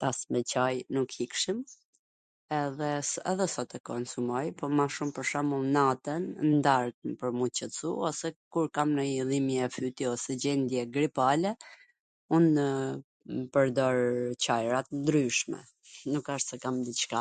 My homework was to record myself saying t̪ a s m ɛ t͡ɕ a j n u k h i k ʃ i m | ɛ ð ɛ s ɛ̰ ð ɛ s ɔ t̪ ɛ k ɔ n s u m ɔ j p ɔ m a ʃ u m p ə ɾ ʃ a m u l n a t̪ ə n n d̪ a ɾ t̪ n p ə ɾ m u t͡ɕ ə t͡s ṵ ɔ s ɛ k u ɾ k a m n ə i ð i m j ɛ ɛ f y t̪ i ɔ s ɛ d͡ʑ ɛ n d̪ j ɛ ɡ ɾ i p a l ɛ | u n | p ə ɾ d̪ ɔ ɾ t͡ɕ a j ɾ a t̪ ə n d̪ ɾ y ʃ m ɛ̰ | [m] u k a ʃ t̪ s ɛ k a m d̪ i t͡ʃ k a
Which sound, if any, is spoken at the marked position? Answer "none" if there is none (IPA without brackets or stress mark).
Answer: n